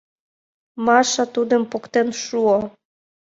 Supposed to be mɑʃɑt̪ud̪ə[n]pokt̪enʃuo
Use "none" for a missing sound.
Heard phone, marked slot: m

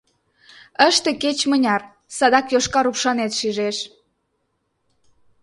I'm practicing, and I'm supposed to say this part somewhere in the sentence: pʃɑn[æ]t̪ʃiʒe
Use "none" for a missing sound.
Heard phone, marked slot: e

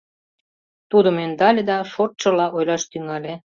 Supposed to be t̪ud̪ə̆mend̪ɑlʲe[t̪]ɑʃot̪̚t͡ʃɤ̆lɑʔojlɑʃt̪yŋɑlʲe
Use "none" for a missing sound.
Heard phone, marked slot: d̪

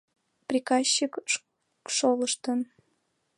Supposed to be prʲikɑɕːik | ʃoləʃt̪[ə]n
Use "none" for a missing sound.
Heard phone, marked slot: ə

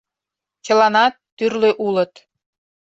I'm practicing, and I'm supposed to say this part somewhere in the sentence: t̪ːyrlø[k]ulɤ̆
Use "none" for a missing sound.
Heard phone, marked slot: ʔ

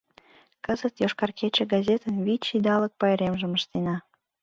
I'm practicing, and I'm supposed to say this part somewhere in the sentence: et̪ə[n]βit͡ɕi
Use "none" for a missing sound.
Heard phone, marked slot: n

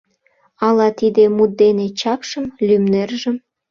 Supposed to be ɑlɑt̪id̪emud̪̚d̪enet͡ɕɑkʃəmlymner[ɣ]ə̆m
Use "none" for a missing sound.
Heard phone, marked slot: ʒ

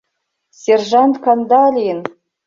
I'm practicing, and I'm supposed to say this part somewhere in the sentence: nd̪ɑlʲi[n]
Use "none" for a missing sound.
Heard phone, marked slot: n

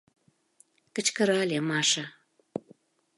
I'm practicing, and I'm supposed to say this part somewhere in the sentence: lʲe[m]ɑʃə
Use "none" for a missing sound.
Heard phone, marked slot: m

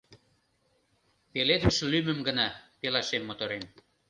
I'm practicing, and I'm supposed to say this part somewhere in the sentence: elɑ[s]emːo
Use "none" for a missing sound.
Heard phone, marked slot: ʃ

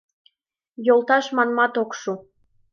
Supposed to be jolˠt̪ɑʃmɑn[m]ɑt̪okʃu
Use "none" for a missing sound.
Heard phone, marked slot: m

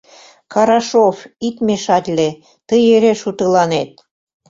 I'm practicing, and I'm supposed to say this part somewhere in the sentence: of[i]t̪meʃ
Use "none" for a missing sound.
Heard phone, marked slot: i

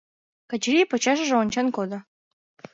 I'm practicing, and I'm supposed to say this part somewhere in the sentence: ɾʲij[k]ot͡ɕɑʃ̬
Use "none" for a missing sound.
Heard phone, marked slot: p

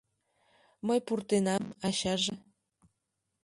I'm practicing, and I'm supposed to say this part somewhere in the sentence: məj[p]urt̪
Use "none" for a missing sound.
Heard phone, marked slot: p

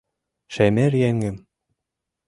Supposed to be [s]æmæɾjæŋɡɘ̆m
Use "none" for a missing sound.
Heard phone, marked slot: ʃ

